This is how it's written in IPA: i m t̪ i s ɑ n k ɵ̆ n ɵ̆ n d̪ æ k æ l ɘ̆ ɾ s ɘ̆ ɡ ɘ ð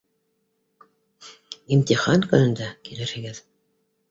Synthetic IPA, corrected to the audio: i m t̪ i χ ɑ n k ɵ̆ n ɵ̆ n d̪ æ k i l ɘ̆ ɾ h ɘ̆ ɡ ɘ ð